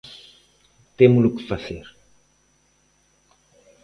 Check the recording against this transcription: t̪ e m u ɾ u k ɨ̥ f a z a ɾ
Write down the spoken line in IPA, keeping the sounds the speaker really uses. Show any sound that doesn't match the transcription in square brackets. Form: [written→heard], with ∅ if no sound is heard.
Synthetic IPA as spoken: t̪ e m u [ɾ→l] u k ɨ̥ f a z [a→e] ɾ